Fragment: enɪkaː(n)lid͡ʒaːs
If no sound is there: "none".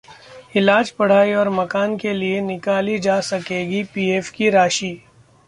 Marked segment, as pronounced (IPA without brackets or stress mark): none